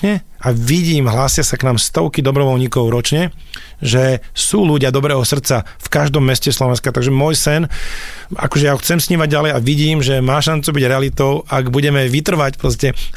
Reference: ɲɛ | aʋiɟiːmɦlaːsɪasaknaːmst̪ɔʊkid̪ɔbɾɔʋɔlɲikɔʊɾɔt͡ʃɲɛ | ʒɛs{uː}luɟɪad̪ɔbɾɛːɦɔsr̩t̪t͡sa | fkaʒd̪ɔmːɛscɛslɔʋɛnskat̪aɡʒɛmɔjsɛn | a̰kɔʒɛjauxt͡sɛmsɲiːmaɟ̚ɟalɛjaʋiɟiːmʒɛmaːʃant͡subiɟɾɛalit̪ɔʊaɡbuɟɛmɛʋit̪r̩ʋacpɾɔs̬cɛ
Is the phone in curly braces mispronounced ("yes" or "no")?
no